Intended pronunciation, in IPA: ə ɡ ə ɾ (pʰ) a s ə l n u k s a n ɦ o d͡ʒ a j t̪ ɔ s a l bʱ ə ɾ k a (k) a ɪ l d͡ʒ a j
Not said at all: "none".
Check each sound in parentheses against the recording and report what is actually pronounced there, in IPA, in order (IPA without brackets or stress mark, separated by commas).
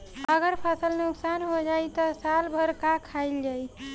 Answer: pʰ, kʰ